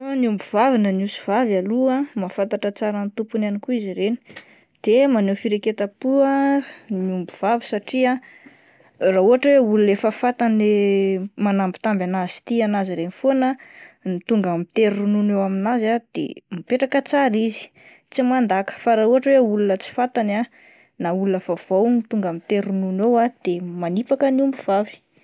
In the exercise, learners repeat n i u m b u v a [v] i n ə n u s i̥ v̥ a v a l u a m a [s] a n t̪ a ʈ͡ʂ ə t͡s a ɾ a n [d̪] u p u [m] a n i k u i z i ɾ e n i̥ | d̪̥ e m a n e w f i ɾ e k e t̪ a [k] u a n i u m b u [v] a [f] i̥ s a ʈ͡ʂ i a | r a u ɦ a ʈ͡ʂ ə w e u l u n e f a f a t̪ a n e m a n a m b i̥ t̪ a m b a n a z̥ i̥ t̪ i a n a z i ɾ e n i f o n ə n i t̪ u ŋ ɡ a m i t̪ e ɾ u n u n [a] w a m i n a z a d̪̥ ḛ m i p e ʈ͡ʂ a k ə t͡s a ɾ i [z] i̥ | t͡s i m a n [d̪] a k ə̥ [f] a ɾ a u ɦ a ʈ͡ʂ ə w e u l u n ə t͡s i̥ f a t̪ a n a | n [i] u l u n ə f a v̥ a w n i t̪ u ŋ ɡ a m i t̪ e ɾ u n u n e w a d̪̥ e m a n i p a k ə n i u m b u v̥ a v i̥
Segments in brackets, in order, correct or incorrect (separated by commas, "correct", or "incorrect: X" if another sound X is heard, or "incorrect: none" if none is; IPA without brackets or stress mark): correct, incorrect: f, incorrect: t̪, incorrect: n, incorrect: p, correct, incorrect: v, incorrect: e, correct, correct, correct, incorrect: a